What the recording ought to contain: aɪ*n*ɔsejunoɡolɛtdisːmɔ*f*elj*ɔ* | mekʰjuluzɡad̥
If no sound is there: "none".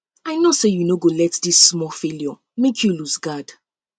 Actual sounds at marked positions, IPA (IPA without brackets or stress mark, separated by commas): n, f, ɔ